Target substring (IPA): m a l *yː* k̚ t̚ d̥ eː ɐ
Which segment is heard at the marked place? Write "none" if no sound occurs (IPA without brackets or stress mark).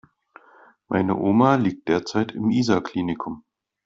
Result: iː